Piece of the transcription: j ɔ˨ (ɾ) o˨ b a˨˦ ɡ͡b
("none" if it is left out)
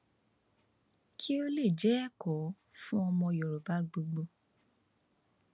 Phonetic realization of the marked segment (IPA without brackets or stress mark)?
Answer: ɾ